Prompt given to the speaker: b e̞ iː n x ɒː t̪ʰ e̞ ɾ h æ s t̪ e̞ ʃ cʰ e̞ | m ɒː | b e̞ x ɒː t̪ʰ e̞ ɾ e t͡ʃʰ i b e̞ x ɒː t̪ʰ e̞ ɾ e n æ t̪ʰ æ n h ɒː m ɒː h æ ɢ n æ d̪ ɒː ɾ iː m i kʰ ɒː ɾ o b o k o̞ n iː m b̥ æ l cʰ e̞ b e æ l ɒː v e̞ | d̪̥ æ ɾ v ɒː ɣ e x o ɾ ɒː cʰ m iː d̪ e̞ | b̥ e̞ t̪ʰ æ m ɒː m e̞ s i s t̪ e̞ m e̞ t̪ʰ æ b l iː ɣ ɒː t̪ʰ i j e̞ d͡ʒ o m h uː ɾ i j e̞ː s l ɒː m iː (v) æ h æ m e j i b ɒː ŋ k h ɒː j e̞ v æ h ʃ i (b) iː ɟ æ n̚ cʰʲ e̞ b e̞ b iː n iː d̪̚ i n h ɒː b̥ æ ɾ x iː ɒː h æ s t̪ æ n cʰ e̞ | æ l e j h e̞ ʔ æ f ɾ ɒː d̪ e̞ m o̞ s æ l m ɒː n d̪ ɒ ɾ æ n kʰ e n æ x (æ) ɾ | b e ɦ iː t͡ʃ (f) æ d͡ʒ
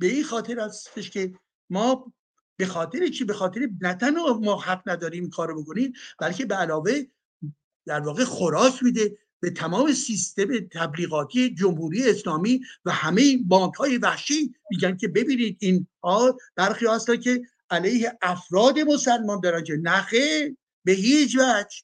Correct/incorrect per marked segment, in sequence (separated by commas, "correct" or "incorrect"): correct, incorrect, incorrect, incorrect